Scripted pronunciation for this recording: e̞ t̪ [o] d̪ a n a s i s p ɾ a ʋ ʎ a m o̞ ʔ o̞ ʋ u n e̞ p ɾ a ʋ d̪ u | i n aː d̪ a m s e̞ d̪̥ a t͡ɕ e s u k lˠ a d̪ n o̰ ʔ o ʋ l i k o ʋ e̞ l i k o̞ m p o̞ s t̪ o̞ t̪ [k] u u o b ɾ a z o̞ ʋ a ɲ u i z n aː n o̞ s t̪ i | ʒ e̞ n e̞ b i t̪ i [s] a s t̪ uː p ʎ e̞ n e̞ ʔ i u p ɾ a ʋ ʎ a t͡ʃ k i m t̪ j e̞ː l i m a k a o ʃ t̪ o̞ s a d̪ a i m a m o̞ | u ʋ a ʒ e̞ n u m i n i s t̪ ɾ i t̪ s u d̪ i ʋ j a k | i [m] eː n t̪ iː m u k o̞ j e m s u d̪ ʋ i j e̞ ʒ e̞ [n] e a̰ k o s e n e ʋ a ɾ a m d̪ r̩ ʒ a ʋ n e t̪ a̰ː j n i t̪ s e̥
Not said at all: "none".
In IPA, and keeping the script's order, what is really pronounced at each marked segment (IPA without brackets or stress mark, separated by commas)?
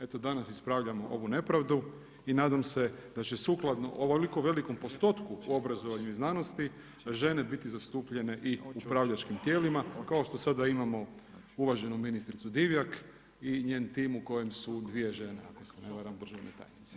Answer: o, k, z, ɲ, n